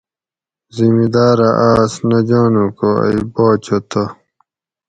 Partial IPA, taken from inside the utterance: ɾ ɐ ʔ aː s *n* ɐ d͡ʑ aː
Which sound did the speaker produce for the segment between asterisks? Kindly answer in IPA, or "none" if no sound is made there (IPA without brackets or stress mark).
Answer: n